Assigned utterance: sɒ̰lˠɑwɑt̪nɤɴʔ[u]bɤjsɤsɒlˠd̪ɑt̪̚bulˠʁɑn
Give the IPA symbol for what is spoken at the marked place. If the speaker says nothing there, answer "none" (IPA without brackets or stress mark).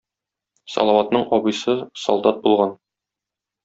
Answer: ɒ